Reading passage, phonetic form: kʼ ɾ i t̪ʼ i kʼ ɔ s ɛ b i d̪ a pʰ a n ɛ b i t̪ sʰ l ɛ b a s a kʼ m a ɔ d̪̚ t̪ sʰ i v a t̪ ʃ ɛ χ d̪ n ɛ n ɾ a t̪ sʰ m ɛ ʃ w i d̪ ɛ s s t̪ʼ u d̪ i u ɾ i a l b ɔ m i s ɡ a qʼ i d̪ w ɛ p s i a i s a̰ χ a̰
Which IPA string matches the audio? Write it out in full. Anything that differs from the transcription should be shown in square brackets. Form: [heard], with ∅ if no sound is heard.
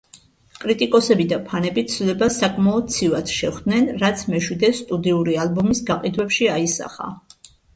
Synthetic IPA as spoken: kʼ ɾ i t̪ʼ i kʼ ɔ s ɛ b i d̪ a pʰ a n ɛ b i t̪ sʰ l ɛ b a s a kʼ m a ɔ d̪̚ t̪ sʰ i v a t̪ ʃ ɛ χ d̪ n ɛ n ɾ a t̪ sʰ m ɛ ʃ w i d̪ ɛ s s t̪ʼ u d̪ i u ɾ i a l b ɔ m i s ɡ a qʼ i d̪ w ɛ p [ʃ] i a i s a̰ χ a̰